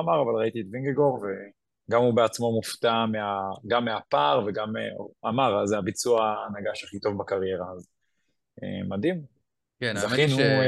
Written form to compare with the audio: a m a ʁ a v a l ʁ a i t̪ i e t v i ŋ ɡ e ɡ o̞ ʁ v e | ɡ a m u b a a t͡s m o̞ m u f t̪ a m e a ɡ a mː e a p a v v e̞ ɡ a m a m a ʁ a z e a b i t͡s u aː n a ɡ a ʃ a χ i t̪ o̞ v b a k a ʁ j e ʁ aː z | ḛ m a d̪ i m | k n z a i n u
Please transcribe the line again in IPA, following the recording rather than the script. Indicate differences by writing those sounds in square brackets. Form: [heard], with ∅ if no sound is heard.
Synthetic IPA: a m a ʁ a v a l ʁ a i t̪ i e t v i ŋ ɡ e ɡ o̞ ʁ v e | ɡ a m u b [e] a t͡s m o̞ m u f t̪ a m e a ɡ a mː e a p a [ʁ] v e̞ ɡ a m a m a ʁ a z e a b i t͡s u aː n a ɡ a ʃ a χ i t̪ o̞ v b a k a ʁ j e ʁ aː z | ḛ m a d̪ i m | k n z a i n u